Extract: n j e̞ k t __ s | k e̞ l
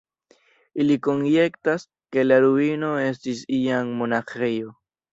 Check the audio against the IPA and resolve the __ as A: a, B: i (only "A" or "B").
A